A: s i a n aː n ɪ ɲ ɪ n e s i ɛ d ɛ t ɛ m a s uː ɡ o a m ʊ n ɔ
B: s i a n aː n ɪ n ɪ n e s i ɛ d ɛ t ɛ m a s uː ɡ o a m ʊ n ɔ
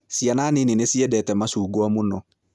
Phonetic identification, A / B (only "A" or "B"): B